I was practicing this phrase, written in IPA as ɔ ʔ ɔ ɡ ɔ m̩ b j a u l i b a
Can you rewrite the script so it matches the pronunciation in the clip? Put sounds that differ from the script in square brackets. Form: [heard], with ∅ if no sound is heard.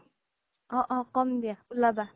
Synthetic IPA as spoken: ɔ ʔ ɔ [k] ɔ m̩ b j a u l [a] b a